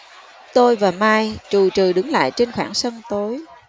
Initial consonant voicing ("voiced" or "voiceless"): voiceless